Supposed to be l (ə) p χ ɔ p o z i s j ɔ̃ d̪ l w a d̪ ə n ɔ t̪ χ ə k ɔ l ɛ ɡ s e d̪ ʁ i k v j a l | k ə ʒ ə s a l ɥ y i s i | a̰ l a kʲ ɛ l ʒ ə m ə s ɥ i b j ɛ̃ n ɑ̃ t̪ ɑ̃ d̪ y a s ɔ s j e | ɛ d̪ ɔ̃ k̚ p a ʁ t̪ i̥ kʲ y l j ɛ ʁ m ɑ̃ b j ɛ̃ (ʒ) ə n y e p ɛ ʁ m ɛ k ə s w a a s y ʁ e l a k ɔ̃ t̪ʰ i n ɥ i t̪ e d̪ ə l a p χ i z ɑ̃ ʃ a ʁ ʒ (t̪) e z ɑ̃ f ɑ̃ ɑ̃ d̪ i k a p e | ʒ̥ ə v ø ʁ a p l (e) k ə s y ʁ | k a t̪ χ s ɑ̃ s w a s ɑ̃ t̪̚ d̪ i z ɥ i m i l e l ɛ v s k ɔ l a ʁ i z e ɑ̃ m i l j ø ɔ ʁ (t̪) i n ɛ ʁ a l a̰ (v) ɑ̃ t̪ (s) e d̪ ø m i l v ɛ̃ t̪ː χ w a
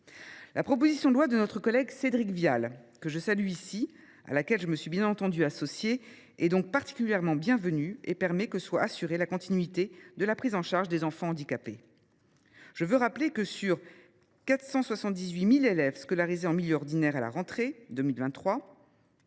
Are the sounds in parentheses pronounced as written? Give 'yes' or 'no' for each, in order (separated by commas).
no, no, no, yes, no, no, no